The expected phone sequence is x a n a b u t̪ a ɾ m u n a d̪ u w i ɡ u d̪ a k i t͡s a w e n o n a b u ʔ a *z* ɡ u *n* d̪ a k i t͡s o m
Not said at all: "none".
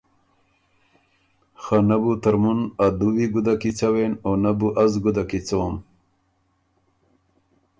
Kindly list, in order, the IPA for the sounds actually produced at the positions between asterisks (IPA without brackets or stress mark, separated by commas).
z, none